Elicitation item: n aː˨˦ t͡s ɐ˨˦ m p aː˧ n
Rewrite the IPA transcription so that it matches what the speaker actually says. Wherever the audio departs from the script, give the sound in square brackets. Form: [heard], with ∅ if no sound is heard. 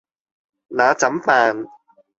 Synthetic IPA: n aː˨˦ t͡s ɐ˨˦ m p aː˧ n